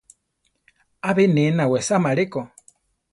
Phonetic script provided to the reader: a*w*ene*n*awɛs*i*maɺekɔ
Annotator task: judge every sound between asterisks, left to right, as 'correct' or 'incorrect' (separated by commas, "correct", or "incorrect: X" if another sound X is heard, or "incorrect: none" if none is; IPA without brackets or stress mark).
incorrect: β, correct, incorrect: a